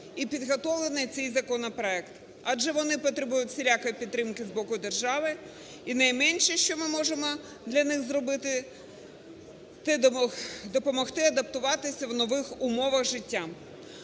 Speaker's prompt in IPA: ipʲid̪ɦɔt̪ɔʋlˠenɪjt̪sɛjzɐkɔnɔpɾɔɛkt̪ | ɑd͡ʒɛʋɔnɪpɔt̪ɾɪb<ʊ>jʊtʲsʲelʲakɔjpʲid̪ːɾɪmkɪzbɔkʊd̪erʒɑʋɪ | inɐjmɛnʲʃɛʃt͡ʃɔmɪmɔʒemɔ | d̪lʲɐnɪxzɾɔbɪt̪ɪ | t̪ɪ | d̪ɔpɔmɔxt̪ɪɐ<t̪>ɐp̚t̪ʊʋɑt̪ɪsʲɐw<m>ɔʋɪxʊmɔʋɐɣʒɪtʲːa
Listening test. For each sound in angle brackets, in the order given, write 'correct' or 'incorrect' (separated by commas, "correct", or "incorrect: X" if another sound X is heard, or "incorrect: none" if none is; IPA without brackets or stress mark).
incorrect: u, incorrect: d̪, incorrect: n